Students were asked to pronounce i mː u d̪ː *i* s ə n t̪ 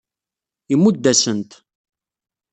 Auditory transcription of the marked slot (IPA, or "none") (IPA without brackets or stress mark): æ